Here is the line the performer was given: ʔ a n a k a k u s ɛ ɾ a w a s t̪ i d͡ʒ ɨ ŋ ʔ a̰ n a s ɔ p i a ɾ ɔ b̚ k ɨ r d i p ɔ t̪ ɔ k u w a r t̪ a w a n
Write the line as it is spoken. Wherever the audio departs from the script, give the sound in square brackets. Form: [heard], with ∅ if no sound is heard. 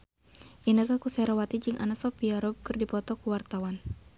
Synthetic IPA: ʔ [i] n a k a k u s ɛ ɾ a w a [∅] t̪ i d͡ʒ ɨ ŋ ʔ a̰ n a s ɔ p i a ɾ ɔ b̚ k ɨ r d i p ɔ t̪ ɔ k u w a r t̪ a w a n